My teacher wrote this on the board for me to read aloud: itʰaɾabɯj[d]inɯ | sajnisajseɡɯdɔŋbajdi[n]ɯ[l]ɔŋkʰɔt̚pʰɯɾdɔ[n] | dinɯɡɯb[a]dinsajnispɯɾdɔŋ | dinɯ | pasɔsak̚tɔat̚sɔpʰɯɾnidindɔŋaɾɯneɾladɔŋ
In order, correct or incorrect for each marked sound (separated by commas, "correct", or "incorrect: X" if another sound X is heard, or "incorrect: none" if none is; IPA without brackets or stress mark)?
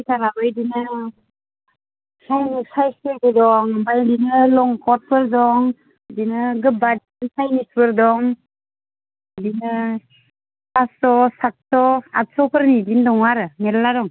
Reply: correct, correct, correct, incorrect: ŋ, correct